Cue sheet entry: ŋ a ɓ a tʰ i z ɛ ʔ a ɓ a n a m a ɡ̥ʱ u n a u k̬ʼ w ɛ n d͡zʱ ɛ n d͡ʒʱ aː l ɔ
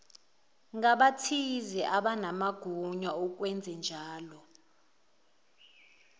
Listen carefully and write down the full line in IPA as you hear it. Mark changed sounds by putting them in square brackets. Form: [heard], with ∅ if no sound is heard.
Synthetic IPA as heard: ŋ a ɓ a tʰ i z ɛ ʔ a ɓ a n a m a ɡ̥ʱ u [ɲ] a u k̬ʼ w ɛ n d͡zʱ ɛ n d͡ʒʱ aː l ɔ